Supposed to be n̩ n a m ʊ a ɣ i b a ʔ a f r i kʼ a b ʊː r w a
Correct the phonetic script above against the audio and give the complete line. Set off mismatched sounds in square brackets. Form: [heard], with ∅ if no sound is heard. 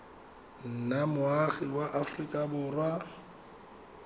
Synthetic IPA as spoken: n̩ n a m ʊ a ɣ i [w] a ʔ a f r i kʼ a b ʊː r w a